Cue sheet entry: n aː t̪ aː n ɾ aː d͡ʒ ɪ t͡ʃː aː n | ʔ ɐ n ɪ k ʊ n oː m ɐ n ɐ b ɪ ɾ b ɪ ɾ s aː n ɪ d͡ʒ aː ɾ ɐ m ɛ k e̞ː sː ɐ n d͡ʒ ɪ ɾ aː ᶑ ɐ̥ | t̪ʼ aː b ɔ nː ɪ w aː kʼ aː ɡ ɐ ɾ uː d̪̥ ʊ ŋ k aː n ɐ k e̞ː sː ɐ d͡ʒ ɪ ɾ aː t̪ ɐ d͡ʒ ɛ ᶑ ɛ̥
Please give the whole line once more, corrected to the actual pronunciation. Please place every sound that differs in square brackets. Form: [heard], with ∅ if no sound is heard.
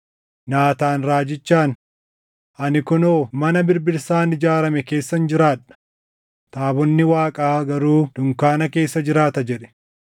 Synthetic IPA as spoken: n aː t̪ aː n ɾ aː d͡ʒ ɪ t͡ʃː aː n | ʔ ɐ n ɪ k ʊ n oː m ɐ n ɐ b ɪ ɾ b ɪ ɾ s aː n ɪ d͡ʒ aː ɾ ɐ m ɛ k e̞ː sː ɐ n d͡ʒ ɪ ɾ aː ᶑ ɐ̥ | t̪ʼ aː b ɔ nː ɪ w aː kʼ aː ɡ ɐ ɾ uː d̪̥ ʊ ŋ k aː n ɐ k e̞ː sː ɐ d͡ʒ ɪ ɾ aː t̪ ɐ d͡ʒ ɛ ᶑ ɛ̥